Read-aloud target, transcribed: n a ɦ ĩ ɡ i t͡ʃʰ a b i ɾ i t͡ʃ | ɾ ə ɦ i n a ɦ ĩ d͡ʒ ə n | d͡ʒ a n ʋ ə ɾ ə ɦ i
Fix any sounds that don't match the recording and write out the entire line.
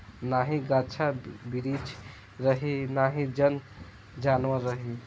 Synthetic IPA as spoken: n a ɦ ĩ ɡ a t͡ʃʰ a b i ɾ i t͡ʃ | ɾ ə ɦ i n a ɦ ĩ d͡ʒ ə n | d͡ʒ a n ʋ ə ɾ ə ɦ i